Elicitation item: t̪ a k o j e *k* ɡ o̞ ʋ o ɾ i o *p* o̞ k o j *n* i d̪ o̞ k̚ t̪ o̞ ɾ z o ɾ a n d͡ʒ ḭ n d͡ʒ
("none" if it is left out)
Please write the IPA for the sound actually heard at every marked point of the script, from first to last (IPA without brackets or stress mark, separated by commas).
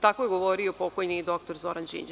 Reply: none, p, n